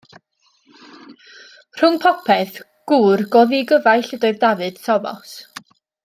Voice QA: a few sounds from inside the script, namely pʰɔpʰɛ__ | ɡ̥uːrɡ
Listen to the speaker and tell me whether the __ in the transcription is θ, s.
θ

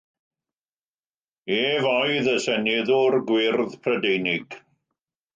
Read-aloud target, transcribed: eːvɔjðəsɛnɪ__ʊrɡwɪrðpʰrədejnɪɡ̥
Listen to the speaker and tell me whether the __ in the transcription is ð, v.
ð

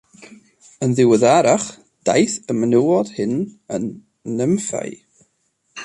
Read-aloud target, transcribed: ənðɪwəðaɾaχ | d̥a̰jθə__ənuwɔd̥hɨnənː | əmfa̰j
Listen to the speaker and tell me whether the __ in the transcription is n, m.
m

